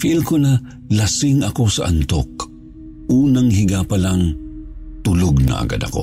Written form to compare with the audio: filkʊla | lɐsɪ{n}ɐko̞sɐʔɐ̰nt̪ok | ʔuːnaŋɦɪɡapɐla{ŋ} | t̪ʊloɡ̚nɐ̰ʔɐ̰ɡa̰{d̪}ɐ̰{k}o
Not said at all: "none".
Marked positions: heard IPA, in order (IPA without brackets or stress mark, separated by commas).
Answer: ŋ, ŋ, d̪, k